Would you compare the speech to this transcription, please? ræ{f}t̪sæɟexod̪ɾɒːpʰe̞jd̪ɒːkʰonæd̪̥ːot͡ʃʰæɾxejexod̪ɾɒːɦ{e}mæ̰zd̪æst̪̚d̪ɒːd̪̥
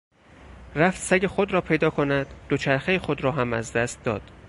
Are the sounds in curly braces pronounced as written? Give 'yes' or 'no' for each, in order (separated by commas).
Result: yes, no